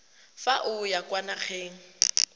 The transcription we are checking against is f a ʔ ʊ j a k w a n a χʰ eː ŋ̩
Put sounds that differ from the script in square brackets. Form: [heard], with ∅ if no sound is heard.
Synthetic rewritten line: f a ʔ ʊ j a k w a n a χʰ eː ŋ̩